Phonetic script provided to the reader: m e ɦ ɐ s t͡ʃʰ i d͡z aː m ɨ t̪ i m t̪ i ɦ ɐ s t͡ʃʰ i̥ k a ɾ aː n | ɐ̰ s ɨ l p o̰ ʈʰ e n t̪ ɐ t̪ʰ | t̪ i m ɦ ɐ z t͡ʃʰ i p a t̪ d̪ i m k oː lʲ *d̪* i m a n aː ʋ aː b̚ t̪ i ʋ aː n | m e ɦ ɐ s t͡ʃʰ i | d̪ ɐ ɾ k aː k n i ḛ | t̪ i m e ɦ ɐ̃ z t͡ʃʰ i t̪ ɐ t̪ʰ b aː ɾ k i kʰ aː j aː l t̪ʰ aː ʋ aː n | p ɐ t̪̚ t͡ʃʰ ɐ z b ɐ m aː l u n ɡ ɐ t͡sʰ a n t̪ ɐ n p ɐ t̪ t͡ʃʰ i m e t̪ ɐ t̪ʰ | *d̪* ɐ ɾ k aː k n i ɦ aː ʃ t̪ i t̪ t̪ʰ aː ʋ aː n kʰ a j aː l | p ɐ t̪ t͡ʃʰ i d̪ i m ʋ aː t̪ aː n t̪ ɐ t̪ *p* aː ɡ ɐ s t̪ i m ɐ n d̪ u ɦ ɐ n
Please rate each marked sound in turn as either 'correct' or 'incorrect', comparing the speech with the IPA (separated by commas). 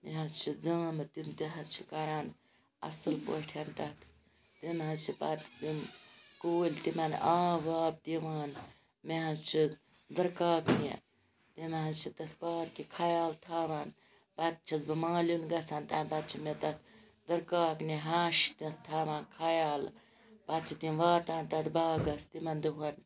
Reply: incorrect, correct, incorrect